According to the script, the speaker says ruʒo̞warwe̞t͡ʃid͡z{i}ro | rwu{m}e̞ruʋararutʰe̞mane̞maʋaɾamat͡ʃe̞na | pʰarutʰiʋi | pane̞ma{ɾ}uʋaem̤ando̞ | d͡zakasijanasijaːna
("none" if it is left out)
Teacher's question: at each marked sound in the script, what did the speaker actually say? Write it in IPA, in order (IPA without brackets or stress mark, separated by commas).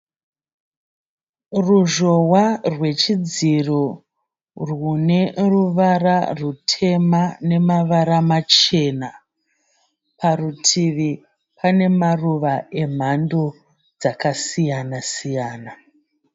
i, n, r